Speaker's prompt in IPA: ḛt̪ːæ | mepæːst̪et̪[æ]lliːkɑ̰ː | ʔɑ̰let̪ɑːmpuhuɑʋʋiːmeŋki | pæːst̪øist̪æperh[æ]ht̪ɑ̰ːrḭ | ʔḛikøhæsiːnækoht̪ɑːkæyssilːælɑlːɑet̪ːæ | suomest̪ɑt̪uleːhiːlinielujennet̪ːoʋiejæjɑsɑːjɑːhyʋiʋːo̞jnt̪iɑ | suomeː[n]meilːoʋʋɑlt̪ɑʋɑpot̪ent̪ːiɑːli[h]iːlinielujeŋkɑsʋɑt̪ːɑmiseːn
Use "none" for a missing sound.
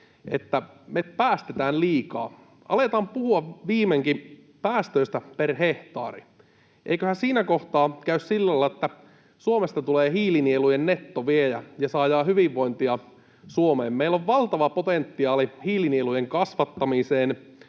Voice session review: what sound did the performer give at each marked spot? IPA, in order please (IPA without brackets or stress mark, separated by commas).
æː, e, m, h